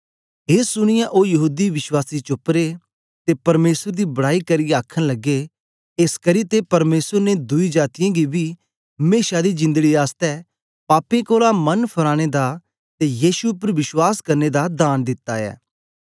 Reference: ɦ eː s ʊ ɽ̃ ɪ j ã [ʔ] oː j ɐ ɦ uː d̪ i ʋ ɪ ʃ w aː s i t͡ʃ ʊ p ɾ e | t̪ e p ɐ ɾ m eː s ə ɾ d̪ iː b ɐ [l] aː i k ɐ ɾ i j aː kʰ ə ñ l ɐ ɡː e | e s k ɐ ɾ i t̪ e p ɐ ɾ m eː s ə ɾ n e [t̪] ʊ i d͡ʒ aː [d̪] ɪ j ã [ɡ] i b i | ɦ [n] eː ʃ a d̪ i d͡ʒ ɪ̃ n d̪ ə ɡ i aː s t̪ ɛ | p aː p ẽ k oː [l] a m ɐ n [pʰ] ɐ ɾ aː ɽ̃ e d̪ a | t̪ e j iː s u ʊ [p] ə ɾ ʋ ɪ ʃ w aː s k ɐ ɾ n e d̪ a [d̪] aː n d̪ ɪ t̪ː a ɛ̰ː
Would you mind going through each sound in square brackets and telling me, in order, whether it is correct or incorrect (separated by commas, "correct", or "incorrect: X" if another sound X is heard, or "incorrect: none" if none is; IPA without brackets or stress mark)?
correct, incorrect: ɽ, incorrect: d̪, incorrect: t̪, correct, incorrect: m, correct, correct, correct, correct